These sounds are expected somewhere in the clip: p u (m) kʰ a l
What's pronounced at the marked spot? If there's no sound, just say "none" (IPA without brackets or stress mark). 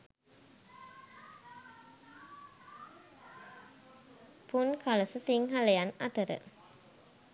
n